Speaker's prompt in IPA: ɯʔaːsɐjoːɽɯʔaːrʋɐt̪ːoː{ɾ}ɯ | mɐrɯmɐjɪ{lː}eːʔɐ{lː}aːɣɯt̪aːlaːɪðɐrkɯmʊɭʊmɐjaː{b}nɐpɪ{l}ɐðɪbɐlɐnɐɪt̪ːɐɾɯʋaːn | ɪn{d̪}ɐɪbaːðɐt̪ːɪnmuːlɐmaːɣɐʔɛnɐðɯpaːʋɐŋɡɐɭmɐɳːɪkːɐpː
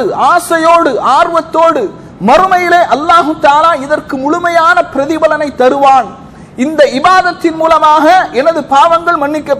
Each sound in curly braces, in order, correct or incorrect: incorrect: ɽ, incorrect: l, correct, incorrect: none, incorrect: ɾ, correct

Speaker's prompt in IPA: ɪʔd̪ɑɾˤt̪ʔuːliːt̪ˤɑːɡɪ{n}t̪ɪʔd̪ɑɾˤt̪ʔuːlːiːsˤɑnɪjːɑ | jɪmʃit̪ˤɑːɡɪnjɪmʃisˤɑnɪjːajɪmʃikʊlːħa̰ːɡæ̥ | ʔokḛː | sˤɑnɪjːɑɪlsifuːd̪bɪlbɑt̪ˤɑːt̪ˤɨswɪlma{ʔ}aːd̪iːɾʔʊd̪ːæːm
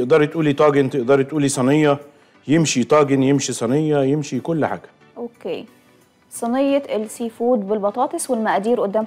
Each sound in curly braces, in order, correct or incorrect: correct, correct

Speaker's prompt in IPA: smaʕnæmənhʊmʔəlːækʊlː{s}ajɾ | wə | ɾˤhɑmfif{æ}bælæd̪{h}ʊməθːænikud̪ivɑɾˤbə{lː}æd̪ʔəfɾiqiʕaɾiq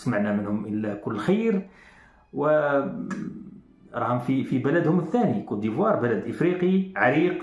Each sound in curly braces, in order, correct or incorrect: incorrect: x, incorrect: i, correct, incorrect: l

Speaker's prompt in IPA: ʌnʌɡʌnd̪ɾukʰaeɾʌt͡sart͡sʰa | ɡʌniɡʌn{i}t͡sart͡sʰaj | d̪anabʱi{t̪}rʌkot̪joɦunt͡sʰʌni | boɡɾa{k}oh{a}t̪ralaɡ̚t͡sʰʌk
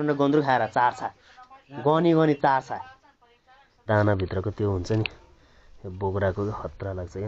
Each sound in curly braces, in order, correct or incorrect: correct, correct, correct, incorrect: ʌ

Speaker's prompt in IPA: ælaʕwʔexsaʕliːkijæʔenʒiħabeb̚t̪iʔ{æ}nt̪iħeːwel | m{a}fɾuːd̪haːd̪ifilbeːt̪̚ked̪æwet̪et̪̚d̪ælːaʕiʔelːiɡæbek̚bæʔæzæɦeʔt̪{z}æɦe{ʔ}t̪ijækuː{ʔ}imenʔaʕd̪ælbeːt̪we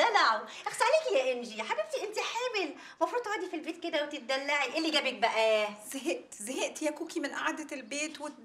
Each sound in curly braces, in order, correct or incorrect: incorrect: e, incorrect: ɑ, correct, correct, incorrect: k

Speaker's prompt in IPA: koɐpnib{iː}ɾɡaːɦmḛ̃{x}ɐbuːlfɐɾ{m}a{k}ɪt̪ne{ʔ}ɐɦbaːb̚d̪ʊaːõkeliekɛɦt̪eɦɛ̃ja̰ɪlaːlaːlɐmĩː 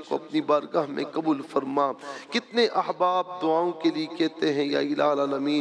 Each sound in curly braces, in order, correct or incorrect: incorrect: aː, incorrect: k, correct, correct, correct

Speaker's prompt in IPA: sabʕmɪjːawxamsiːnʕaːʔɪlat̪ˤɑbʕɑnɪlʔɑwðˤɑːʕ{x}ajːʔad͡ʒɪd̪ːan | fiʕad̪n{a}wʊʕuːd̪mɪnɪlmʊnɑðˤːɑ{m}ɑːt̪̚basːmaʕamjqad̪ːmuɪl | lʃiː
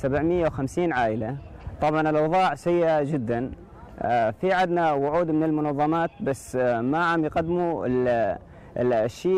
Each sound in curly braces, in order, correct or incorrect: incorrect: s, correct, correct

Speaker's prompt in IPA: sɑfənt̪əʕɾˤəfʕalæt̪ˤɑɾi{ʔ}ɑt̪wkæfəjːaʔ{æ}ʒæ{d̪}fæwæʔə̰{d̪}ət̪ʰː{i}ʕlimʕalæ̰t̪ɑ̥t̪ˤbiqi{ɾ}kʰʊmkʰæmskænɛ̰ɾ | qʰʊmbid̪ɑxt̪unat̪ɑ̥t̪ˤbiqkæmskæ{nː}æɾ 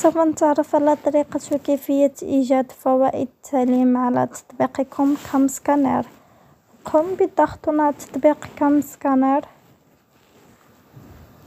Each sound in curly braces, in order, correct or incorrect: incorrect: q, incorrect: i, correct, correct, incorrect: a, incorrect: none, incorrect: n

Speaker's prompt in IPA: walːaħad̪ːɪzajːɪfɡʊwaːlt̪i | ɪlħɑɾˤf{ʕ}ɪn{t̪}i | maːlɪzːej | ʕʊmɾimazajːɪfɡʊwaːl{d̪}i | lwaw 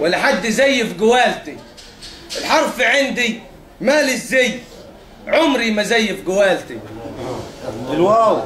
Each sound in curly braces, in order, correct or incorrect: correct, incorrect: d̪, incorrect: t̪

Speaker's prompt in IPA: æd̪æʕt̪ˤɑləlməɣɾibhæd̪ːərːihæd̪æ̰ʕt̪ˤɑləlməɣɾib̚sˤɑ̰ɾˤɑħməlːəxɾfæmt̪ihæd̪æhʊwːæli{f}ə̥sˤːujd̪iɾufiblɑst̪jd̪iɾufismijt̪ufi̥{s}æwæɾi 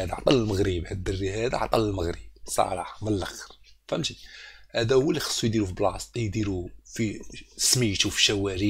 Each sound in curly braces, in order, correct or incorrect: incorrect: x, incorrect: ʃ

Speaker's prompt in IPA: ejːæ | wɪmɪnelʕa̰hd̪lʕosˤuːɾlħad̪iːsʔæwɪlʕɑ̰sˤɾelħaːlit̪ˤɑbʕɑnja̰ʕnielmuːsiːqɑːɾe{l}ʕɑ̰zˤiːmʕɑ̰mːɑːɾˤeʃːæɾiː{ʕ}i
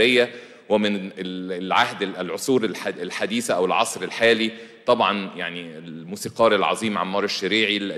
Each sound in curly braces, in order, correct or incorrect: correct, correct

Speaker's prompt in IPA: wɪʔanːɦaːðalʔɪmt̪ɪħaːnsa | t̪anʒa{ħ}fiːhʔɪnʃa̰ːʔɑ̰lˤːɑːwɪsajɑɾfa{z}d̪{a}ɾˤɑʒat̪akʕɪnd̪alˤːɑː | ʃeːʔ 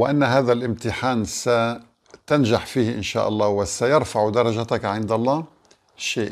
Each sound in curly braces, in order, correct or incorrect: correct, incorrect: ʕ, incorrect: ɑ

